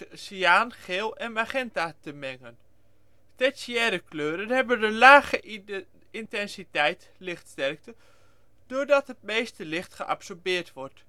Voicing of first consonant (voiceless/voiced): voiceless